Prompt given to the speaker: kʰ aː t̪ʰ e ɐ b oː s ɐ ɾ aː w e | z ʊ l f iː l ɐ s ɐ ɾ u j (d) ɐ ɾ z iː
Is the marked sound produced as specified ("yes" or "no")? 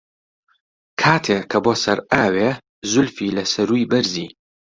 no